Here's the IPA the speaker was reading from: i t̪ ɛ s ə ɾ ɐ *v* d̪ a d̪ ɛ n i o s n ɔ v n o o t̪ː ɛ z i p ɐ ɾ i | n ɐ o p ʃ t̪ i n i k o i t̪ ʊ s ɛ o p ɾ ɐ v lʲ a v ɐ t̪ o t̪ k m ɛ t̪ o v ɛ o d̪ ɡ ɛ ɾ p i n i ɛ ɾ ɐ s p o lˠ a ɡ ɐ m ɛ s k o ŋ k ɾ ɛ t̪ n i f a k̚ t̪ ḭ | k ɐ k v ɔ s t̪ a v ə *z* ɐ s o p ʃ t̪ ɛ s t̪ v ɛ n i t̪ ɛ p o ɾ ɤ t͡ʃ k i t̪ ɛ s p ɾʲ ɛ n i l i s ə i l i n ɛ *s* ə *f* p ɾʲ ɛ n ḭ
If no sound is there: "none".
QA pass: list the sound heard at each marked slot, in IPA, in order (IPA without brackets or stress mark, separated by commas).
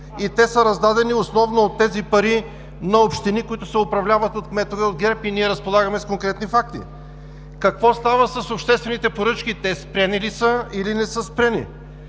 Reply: z, s, s, s